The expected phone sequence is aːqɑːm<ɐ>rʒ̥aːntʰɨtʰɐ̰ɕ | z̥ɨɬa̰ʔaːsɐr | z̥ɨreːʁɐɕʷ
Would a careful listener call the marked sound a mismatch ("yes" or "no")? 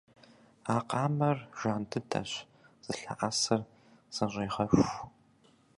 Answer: no